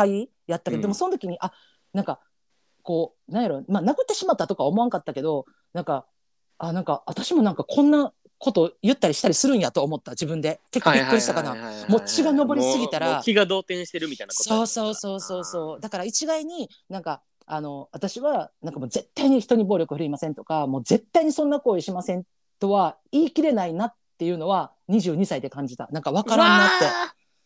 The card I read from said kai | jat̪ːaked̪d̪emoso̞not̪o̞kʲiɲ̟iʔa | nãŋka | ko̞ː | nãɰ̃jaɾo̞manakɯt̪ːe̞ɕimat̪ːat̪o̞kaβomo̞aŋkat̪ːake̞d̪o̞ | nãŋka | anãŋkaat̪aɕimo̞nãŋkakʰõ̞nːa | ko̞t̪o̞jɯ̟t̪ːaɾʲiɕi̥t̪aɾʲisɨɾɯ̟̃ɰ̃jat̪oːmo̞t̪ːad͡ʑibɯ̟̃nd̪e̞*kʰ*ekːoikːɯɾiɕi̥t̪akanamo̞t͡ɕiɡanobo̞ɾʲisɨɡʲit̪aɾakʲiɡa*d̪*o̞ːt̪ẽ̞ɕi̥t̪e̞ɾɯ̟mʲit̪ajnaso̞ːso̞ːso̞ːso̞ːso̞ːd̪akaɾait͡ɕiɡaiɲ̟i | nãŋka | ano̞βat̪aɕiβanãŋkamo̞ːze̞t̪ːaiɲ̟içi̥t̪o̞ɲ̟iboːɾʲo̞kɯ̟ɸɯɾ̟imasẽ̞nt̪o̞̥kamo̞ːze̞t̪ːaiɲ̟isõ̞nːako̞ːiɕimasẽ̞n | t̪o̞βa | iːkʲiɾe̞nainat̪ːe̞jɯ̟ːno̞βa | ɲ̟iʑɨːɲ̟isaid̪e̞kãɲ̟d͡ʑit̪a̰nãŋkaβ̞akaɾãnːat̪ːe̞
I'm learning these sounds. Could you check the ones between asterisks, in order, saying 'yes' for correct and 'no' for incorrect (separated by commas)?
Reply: no, yes